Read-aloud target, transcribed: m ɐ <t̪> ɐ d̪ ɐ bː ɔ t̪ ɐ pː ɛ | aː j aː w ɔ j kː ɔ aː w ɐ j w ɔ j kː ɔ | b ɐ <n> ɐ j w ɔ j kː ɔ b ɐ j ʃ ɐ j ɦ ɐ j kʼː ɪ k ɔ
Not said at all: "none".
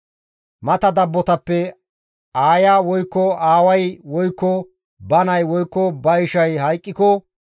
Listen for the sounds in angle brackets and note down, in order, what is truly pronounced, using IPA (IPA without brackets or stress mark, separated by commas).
t̪, n